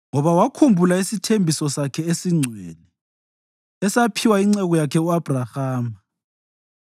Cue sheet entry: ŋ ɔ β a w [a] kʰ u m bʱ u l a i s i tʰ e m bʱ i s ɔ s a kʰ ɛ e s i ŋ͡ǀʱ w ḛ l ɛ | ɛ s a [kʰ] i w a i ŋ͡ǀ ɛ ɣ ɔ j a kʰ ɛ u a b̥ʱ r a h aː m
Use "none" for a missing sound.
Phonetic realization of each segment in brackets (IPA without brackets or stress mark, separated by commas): a, pʰ